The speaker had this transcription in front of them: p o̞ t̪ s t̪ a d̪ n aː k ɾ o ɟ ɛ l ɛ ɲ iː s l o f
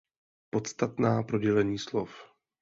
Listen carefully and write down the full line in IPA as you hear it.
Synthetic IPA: p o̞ t̪ s t̪ a t̪ n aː p ɾ o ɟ ɛ l ɛ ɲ iː s l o f